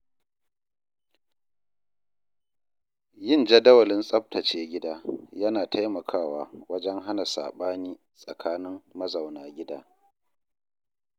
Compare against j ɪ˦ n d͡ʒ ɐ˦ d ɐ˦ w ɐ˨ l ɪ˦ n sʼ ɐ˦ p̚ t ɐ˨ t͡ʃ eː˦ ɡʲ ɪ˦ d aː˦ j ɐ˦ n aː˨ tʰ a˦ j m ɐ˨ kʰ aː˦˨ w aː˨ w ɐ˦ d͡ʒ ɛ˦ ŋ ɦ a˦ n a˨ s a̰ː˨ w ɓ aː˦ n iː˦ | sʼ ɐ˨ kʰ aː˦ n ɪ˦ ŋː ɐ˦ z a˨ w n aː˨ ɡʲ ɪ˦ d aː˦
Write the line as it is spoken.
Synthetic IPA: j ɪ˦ n d͡ʒ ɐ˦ d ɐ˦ w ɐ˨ l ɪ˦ n sʼ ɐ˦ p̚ t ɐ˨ t͡ʃ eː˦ ɡʲ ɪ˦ d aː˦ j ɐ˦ n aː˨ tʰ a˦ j m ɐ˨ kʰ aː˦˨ w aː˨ w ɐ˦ d͡ʒ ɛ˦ ŋ ɦ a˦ n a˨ s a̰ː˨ ɓ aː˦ n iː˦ | sʼ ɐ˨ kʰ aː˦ n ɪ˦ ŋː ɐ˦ z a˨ w n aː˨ ɡʲ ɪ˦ d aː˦

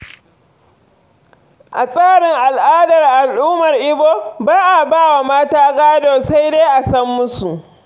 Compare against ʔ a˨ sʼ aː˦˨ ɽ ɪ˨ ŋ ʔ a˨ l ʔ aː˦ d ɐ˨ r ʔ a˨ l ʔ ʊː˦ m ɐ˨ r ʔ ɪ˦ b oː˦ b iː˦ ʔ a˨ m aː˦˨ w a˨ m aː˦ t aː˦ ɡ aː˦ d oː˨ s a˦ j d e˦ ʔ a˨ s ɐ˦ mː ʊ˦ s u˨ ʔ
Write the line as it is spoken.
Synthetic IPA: ʔ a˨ sʼ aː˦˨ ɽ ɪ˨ ŋ ʔ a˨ l ʔ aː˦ d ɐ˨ r ʔ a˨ l ʔ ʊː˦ m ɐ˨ r ʔ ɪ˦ b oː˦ b aː˦ ʔ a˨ b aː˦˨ w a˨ m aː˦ t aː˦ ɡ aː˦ d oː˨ s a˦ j d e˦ ʔ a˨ s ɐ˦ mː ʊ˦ s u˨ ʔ

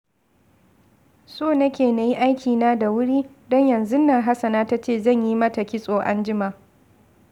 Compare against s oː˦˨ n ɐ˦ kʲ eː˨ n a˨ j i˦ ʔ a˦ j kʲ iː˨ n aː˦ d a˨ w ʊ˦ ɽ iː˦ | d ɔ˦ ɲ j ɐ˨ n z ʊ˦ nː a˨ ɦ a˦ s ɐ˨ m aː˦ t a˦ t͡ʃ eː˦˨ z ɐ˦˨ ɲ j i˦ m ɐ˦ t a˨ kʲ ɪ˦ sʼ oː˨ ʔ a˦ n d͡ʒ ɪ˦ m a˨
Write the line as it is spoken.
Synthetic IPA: s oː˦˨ n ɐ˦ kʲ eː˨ n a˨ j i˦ ʔ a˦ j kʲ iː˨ n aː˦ d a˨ w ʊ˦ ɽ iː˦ | d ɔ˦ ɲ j ɐ˨ n z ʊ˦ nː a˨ ɦ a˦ s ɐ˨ n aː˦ t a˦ t͡ʃ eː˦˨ z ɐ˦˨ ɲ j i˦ m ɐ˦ t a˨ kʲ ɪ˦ sʼ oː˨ ʔ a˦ n d͡ʒ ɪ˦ m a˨

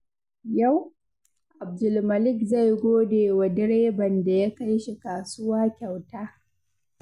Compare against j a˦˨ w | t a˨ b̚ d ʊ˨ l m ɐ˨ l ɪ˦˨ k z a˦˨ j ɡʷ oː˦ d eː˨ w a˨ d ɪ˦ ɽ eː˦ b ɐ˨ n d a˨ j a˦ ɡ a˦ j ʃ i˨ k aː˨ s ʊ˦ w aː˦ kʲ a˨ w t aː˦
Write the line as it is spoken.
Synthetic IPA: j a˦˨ w | ʔ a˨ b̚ d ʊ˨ l m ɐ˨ l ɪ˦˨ k z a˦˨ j ɡʷ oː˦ d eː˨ w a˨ d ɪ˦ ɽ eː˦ b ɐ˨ n d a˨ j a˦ k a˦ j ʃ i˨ k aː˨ s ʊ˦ w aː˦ kʲ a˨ w t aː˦

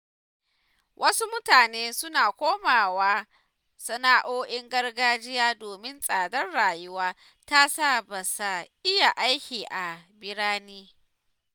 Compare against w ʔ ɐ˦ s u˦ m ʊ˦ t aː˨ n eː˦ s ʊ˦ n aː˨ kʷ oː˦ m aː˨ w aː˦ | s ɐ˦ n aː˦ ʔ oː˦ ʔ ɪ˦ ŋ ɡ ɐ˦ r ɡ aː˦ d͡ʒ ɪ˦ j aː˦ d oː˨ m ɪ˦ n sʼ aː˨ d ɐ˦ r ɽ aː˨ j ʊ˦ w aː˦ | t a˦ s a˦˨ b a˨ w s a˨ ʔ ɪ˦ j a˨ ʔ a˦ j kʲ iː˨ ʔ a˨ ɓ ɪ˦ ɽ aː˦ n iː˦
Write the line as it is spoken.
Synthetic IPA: w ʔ ɐ˦ s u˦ m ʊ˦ t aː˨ n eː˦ s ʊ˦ n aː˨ kʷ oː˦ m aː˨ w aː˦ | s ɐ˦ n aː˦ ʔ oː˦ ʔ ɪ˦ ŋ ɡ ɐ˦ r ɡ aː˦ d͡ʒ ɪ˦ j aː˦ d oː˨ m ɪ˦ n sʼ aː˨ d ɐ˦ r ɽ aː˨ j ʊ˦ w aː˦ | t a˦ s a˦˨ b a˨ s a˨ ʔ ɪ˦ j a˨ ʔ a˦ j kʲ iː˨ ʔ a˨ b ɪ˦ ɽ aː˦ n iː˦

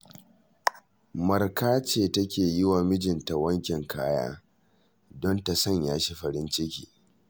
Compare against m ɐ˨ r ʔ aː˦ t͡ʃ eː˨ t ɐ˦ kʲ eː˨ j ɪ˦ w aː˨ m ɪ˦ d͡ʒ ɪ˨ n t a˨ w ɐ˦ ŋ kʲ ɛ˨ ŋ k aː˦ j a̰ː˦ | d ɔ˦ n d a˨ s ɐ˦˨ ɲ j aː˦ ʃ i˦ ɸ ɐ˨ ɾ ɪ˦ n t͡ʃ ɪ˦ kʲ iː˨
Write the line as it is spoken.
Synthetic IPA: m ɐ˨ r k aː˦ t͡ʃ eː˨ t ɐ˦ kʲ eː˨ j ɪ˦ w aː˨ m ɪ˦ d͡ʒ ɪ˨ n t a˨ w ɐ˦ ŋ kʲ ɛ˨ ŋ k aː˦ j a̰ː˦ | d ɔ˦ n t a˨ s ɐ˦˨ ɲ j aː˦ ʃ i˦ ɸ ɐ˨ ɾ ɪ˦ n t͡ʃ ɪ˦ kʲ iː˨

